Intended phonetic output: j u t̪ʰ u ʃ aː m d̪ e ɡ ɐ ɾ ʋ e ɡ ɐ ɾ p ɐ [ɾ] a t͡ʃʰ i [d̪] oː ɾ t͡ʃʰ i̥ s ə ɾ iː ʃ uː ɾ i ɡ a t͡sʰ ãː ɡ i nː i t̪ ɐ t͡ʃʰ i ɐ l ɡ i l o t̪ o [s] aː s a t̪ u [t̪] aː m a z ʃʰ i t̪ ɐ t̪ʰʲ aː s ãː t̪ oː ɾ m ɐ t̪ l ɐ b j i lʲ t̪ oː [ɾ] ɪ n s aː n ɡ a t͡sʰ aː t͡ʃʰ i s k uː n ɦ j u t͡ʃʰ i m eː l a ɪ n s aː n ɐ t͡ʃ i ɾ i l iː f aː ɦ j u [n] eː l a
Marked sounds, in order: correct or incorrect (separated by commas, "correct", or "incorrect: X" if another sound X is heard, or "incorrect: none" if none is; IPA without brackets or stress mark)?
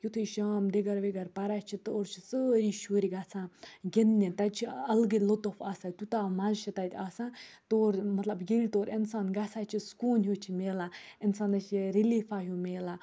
correct, incorrect: t̪, incorrect: f, correct, correct, incorrect: m